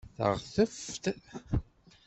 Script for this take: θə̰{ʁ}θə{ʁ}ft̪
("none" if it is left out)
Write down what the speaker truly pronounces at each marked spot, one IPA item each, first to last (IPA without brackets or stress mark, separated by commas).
ʁ, none